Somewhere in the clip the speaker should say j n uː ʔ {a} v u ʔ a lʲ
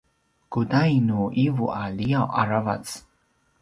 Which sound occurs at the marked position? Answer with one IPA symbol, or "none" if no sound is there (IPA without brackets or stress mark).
i